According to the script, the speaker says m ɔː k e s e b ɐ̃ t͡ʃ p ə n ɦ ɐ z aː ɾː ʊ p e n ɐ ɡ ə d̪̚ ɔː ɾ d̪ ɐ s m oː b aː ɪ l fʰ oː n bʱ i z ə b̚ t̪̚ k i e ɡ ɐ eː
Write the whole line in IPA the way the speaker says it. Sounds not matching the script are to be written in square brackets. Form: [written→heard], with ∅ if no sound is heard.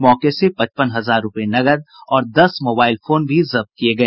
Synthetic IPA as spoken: m ɔː k e s e [b→p] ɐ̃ t͡ʃ p ə n ɦ ɐ z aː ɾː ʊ p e n ɐ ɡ ə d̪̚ ɔː ɾ d̪ ɐ s m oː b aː ɪ l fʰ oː n bʱ i z [ə→ɐ] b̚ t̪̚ k i e ɡ ɐ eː